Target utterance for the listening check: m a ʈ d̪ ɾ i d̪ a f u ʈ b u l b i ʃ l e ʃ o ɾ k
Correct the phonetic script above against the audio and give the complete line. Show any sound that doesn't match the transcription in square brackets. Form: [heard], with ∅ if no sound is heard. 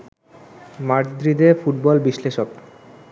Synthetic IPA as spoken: m a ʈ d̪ ɾ i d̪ [e] f u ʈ b [ɔ] l b i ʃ l e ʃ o [∅] k